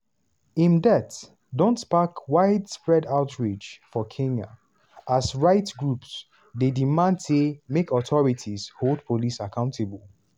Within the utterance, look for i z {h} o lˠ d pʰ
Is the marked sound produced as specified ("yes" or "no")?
yes